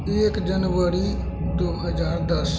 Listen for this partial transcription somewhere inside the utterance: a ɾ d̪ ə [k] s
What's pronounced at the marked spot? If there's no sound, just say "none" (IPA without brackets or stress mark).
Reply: none